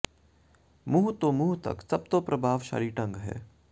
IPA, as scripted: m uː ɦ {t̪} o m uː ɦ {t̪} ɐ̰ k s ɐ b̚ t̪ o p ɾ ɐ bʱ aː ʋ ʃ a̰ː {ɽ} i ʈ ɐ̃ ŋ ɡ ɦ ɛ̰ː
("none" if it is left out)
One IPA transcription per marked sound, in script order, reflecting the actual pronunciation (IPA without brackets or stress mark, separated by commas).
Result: t̪, t̪, ɾ